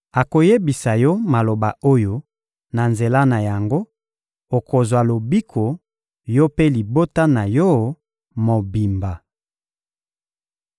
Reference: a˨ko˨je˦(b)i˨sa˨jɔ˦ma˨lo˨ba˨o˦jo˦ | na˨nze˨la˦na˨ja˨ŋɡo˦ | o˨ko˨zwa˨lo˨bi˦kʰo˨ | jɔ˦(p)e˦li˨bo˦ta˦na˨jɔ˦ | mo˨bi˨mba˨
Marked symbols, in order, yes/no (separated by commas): yes, yes